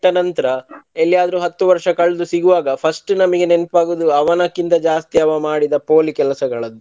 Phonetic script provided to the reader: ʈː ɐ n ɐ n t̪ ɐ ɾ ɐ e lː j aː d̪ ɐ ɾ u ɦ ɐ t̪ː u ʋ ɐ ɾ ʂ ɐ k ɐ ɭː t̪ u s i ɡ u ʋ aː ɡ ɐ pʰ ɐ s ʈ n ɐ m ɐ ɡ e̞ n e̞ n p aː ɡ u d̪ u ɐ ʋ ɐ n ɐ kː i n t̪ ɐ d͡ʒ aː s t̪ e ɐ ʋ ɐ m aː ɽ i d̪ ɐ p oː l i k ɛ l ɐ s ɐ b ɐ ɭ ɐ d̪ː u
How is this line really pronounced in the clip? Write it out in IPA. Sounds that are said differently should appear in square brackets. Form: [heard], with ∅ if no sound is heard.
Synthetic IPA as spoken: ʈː ɐ n ɐ n t̪ ɐ ɾ ɐ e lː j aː d̪ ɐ ɾ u ɦ ɐ t̪ː u ʋ ɐ ɾ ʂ ɐ k ɐ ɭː [d̪] u s i ɡ u ʋ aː ɡ ɐ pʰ ɐ s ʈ n ɐ m ɐ ɡ e̞ n e̞ n p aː ɡ u d̪ u ɐ ʋ ɐ n ɐ kː i n t̪ ɐ d͡ʒ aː s t̪ [i] ɐ ʋ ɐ m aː ɽ i d̪ ɐ p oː l i k ɛ l ɐ s ɐ [ɡ] ɐ ɭ ɐ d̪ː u